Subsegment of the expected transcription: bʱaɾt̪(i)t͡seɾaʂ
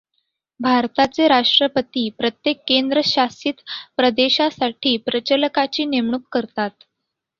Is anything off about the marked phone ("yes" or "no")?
yes